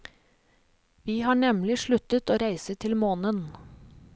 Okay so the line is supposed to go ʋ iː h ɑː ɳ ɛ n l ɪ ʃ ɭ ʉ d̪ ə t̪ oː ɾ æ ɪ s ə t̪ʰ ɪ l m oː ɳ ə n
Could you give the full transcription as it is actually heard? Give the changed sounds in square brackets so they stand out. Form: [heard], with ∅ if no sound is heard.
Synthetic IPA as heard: ʋ iː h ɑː ɳ ɛ [m] l ɪ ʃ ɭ ʉ [t̪] ə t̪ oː ɾ æ ɪ s ə t̪ʰ ɪ l m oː [n] ə n

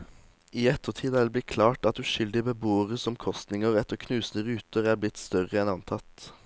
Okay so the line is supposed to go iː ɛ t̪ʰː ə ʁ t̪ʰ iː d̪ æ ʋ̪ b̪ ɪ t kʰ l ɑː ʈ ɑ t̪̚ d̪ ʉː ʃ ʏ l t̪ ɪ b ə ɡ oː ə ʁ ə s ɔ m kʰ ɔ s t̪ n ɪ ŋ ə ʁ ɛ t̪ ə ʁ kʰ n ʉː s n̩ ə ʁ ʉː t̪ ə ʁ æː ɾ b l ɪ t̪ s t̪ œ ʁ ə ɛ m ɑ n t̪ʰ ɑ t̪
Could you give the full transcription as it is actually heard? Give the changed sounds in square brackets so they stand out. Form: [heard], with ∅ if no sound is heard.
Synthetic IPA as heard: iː ɛ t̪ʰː ə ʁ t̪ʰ iː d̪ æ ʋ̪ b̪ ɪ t kʰ l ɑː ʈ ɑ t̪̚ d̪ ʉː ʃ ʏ l [d̪] ɪ b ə [b] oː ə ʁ ə s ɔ m kʰ ɔ s t̪ n ɪ ŋ ə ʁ ɛ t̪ ə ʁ kʰ n ʉː s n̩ ə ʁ ʉː t̪ ə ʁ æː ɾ b l ɪ t̪ s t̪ œ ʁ ə ɛ [n] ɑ n t̪ʰ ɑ t̪

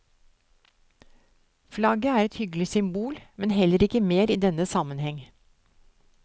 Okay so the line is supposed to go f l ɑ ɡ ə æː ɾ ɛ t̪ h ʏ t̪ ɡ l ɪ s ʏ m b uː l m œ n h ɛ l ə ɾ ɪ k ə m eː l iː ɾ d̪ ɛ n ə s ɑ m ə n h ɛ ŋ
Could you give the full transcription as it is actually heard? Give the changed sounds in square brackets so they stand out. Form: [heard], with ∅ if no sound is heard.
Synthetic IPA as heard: f l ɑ ɡ ə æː ɾ ɛ t̪ h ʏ [∅] ɡ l ɪ s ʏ m b uː l m [ɛ] n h ɛ l ə ɾ ɪ k ə m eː [ɾ] iː [∅] d̪ ɛ n ə s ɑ m ə n h ɛ ŋ

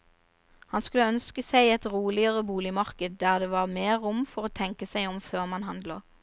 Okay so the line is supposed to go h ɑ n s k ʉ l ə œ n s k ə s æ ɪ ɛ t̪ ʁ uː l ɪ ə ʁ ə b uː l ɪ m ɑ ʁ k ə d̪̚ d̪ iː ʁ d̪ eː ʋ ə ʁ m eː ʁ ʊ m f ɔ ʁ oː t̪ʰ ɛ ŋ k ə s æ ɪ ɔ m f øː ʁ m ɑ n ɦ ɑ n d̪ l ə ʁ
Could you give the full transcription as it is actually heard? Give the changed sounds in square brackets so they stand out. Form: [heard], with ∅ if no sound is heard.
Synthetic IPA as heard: h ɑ n s k ʉ l ə œ n s k ə s æ ɪ ɛ t̪ ʁ uː l ɪ ə ʁ ə b uː l ɪ m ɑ ʁ k ə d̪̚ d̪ [æː] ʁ d̪ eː ʋ [ɑ] ʁ m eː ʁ ʊ m f ɔ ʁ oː t̪ʰ ɛ ŋ k ə s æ ɪ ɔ m f øː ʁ m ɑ n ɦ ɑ n d̪ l ə ʁ

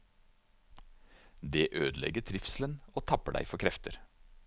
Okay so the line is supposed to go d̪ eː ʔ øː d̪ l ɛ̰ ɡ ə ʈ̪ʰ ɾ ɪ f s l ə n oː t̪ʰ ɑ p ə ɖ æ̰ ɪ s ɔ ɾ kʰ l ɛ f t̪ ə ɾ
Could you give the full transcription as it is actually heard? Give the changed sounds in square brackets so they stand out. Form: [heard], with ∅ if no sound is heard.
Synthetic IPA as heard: d̪ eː ʔ øː d̪ l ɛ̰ ɡ ə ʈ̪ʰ ɾ ɪ f s l ə n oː t̪ʰ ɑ p ə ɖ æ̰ ɪ [f] ɔ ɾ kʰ [ɾ] ɛ f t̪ ə ɾ

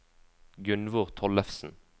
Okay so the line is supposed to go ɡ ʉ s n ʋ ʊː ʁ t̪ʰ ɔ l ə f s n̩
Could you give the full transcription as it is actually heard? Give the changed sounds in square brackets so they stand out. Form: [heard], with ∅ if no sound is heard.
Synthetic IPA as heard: ɡ ʉ [∅] n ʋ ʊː ʁ t̪ʰ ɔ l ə f s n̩

